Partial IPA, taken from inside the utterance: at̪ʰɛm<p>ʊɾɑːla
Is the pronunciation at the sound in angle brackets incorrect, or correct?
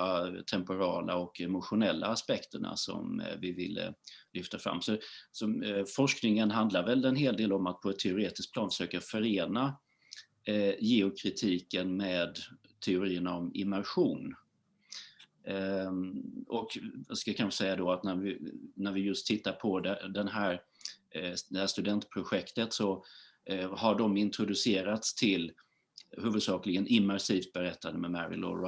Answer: correct